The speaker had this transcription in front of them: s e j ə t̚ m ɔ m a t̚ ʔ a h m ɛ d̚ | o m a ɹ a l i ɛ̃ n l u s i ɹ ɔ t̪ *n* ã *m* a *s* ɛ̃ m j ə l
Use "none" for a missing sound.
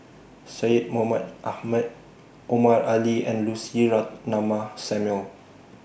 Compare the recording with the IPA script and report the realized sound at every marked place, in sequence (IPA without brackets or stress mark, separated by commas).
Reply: n, m, s